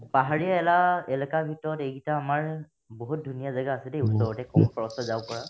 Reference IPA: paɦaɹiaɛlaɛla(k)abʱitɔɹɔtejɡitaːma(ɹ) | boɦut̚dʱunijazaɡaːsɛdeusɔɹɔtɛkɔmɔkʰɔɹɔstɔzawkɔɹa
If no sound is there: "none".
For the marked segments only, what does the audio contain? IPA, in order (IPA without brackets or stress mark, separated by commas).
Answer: k, ɹ